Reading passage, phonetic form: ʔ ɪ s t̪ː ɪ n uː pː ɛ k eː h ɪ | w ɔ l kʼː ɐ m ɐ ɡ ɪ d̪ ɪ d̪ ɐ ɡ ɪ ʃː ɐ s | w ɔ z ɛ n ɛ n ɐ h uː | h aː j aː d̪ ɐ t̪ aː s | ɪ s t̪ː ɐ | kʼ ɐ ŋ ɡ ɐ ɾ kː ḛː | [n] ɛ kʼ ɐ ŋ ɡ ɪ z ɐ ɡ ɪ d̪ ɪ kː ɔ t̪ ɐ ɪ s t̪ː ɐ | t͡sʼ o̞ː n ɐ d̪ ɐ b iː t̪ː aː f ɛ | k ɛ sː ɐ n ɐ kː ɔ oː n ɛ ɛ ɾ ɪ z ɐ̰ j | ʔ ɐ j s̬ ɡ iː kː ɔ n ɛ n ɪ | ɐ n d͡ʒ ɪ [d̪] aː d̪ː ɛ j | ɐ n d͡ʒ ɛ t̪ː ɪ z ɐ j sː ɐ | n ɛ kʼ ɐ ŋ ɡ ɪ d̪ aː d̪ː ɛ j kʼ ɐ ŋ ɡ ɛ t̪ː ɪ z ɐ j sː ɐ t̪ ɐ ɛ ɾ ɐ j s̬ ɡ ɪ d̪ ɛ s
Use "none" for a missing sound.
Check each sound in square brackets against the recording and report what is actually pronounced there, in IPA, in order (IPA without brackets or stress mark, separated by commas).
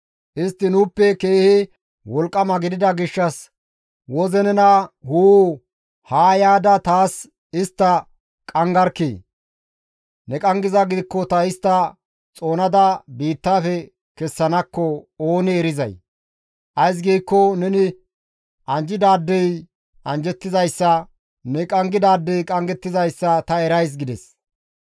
n, d̪